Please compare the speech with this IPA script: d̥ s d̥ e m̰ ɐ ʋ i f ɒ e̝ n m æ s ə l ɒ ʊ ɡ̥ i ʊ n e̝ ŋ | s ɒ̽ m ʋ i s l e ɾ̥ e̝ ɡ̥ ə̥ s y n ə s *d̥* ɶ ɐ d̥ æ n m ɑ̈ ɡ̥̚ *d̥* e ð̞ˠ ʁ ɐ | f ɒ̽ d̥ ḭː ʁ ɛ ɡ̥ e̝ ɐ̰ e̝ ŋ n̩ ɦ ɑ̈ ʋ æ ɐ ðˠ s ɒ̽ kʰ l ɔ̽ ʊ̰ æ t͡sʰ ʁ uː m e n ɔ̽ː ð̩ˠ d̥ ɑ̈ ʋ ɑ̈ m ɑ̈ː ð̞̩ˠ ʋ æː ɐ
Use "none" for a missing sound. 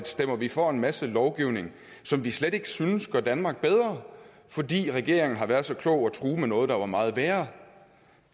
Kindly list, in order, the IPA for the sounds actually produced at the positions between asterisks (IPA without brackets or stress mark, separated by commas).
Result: ɡ̥, b̥